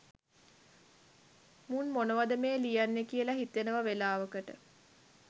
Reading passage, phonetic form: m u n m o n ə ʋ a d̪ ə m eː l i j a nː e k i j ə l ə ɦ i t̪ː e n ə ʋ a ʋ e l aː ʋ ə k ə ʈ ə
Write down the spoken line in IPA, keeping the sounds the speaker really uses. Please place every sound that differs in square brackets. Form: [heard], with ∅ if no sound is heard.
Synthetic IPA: m u n m o n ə ʋ a d̪ ə m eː l i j a nː e k i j ə l [a] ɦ i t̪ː e n ə ʋ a ʋ e l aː ʋ ə k ə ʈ ə